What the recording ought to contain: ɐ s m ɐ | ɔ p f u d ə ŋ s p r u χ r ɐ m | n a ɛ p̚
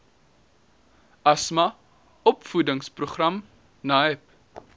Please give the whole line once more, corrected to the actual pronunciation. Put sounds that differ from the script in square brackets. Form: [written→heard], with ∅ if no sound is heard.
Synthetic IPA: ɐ s m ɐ | ɔ p f u d ə ŋ s p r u χ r ɐ m | n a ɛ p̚

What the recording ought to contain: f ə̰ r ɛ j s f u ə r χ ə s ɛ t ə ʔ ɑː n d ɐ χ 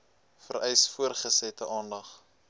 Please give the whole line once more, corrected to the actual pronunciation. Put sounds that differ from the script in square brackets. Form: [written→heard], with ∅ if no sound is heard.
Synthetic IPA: f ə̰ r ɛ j s f u ə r χ ə s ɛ t ə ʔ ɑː n d ɐ χ

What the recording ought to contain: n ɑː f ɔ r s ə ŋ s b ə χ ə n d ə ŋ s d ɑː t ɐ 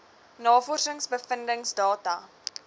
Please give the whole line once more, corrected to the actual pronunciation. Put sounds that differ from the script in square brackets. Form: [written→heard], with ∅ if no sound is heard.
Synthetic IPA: n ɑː f ɔ r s ə ŋ s b ə [χ→f] ə n d ə ŋ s d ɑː t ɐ

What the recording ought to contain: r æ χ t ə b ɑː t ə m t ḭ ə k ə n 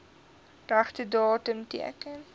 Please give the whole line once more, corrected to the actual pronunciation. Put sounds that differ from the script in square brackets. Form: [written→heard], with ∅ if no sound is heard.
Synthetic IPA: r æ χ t ə [b→d] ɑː t ə m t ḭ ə k ə n

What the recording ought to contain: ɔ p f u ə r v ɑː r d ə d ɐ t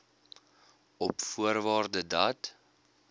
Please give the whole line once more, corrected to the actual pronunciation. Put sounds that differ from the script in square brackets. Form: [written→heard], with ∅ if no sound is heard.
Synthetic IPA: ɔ p f u ə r v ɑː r d ə d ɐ t

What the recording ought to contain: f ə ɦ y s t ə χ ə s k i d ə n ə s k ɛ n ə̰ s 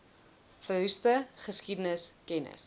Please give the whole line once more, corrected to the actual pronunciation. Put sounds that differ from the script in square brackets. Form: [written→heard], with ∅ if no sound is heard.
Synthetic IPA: f ə ɦ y s t ə χ ə s k i d ə n ə s k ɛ n ə̰ s

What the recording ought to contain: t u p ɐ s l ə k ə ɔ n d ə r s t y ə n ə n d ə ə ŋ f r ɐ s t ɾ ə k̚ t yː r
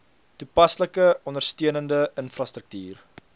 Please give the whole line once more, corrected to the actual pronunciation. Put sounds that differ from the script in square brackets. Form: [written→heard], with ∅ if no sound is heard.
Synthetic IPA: t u p ɐ s l ə k ə ɔ n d ə r s t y ə n ə n d ə ə [ŋ→n] f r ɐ s t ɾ ə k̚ t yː r

